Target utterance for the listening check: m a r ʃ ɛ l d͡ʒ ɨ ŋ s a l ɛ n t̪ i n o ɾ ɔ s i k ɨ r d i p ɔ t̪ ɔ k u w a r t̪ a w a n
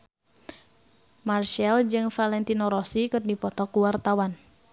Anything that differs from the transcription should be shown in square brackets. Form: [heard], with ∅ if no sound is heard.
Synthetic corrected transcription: m a r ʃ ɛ l d͡ʒ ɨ ŋ [f] a l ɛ n t̪ i n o ɾ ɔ s i k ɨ r d i p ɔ t̪ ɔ k u w a r t̪ a w a n